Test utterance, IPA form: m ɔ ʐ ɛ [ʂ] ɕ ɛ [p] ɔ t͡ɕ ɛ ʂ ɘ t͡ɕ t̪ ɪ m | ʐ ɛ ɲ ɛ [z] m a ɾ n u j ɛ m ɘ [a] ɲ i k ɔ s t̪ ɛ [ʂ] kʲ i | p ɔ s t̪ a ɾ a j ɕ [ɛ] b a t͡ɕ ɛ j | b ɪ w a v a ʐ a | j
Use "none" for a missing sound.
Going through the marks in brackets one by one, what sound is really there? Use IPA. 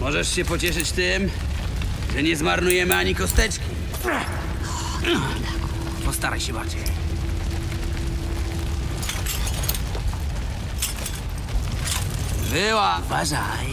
ʂ, p, z, a, t͡ʂ, ɛ

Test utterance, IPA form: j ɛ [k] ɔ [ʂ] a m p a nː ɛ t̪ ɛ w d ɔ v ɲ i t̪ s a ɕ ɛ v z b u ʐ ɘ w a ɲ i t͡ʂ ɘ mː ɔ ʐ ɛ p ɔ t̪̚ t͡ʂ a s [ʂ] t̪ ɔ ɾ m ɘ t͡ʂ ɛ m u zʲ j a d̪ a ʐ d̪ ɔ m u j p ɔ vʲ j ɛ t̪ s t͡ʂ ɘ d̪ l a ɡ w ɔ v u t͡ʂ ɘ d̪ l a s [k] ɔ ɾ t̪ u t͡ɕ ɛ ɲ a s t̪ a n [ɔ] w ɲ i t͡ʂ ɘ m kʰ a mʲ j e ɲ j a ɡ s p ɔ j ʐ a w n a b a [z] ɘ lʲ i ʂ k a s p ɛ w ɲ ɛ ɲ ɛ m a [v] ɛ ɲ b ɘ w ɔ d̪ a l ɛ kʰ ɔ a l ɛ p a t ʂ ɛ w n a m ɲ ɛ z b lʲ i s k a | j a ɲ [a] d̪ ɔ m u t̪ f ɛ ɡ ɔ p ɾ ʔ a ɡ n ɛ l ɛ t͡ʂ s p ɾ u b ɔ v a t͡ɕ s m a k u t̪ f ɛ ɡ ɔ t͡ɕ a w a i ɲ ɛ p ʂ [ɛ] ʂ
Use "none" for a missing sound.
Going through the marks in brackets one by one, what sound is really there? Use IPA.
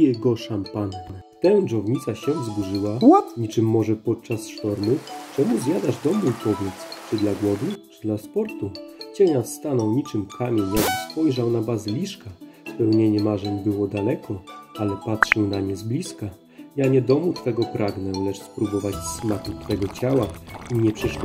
ɡ, ʂ, ʂ, p, ɔ, z, ʐ, ɛ, ɛ

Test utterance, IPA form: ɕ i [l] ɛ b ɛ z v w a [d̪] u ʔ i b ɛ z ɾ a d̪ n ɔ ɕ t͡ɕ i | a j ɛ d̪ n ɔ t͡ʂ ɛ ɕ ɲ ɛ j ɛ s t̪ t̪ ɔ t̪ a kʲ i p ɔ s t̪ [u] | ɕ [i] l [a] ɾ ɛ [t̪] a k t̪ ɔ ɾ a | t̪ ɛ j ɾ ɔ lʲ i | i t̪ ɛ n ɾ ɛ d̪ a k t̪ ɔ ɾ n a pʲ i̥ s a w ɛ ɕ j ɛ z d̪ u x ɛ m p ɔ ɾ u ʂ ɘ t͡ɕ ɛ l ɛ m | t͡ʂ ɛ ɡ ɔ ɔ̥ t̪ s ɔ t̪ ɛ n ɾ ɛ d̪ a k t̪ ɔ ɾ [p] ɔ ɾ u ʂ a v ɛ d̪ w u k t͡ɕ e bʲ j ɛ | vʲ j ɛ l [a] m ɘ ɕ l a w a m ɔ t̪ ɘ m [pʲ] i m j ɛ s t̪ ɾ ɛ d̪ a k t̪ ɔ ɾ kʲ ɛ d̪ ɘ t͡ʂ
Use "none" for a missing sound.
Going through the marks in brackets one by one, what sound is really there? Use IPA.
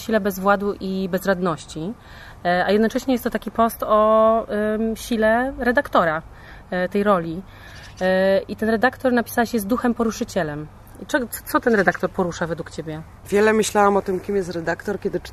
l, d̪, ɔ, i, ɛ, d̪, p, ɛ, kʲ

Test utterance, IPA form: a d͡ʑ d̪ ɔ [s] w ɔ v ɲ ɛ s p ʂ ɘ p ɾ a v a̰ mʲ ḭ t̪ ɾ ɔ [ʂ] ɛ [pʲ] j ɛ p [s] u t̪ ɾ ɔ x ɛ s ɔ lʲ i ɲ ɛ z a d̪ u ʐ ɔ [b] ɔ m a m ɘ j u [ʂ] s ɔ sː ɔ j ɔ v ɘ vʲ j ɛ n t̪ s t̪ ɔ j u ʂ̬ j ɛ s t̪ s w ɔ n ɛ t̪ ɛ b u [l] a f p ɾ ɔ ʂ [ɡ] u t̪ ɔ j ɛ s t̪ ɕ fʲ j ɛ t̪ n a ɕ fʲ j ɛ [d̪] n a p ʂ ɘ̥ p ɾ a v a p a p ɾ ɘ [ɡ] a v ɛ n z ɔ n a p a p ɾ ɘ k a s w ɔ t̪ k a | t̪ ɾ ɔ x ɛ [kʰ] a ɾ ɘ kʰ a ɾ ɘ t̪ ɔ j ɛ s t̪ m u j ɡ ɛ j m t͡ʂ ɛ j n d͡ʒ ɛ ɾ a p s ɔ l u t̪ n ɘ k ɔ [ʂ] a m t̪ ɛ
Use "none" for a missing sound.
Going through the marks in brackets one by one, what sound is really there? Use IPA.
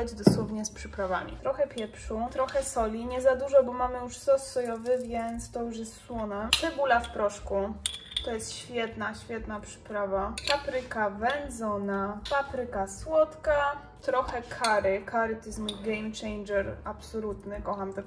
s, x, pʲ, ʂ, b, ʂ, l, k, t̪, k, kʰ, x

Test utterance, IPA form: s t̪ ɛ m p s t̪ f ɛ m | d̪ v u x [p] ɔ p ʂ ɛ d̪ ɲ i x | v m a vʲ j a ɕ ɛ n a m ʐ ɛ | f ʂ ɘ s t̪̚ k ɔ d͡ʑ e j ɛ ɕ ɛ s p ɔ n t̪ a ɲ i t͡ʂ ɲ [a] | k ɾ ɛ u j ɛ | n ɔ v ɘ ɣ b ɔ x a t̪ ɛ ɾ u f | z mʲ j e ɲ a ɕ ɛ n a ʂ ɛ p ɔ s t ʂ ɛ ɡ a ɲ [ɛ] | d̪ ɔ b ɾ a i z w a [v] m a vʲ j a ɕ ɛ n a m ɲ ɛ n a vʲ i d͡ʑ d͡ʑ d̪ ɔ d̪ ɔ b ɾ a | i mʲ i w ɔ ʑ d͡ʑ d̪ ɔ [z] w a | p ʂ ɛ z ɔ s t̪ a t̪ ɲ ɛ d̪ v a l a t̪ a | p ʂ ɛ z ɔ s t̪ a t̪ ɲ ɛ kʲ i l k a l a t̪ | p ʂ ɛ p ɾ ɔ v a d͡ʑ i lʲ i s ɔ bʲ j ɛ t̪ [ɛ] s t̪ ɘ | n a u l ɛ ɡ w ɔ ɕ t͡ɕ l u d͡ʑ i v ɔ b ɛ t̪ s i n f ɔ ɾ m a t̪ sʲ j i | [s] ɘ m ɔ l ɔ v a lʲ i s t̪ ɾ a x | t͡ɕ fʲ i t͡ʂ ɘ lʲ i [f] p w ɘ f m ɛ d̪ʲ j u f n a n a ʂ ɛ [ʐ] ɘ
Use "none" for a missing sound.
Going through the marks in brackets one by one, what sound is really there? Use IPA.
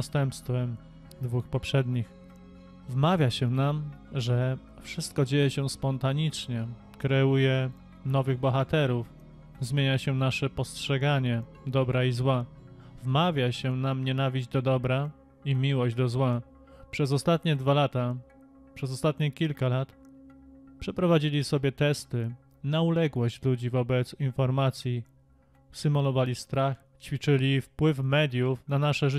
p, ɛ, ɛ, v, z, ɛ, s, f, ʐ

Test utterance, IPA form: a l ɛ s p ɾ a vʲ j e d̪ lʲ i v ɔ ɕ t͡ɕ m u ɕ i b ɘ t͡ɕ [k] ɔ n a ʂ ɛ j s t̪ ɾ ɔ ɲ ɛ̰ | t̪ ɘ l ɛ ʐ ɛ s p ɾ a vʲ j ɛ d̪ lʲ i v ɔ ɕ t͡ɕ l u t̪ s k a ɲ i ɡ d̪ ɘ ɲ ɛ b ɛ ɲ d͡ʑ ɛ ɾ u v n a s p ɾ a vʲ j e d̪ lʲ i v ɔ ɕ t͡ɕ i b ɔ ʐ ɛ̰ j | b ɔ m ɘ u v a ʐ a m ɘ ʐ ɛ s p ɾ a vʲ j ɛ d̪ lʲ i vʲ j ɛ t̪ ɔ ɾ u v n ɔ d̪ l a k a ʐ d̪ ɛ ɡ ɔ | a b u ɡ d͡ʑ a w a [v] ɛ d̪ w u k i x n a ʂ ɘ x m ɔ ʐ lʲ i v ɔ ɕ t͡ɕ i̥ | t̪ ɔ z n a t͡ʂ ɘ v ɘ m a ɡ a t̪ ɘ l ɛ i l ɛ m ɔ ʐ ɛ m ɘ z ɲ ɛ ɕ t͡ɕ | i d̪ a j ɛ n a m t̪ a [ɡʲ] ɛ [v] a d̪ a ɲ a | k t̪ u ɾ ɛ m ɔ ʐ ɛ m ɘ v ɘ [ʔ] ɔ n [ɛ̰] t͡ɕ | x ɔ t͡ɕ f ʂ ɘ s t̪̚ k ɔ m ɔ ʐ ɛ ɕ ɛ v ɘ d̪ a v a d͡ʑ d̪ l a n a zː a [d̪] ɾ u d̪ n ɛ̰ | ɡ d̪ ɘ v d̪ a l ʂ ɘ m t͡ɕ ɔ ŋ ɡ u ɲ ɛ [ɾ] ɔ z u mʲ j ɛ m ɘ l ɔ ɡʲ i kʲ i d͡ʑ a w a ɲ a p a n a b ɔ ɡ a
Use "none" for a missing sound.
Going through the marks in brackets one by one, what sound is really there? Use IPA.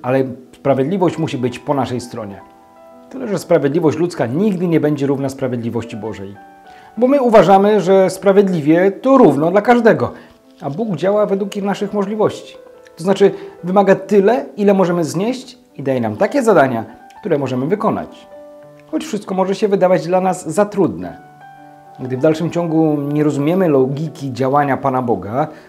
p, v, kʲ, z, k, a̰, t̪, ɾ

